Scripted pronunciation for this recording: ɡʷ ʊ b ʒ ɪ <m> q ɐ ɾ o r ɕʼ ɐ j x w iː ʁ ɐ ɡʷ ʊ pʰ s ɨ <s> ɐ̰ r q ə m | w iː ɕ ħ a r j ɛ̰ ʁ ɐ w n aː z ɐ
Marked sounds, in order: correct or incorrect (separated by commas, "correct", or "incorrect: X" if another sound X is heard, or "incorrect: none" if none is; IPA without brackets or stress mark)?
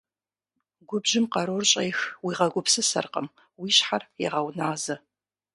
correct, correct